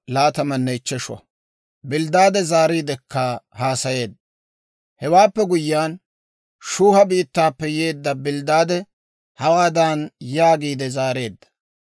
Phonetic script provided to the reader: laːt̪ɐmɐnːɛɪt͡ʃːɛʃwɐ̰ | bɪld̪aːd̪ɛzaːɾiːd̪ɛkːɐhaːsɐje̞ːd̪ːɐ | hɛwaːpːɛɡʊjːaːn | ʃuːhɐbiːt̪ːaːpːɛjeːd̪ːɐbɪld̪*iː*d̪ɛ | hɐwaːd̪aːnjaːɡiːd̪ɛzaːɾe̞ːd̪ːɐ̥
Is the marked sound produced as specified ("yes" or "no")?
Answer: no